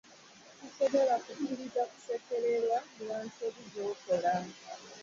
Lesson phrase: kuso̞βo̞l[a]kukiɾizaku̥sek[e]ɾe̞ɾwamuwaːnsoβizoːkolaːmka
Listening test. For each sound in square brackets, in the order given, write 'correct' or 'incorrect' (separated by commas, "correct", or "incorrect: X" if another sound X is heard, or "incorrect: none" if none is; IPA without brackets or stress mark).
correct, correct